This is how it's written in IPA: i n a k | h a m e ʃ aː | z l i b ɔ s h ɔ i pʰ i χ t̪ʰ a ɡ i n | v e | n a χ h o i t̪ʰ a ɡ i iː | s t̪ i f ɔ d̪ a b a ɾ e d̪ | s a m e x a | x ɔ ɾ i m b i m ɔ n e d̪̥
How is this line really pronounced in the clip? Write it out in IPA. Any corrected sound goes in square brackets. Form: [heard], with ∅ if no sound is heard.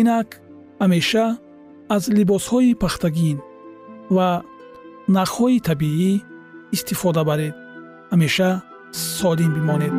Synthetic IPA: i n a k | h a m e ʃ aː | z l i b ɔ s h ɔ i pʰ [a] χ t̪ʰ a ɡ i n | v [a] | n a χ h [ɔ] i t̪ʰ a [b] i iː | s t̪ i f ɔ d̪ a b a ɾ e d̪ | [h] a m e [ʃ] a | [s] ɔ [l] i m b i m ɔ n e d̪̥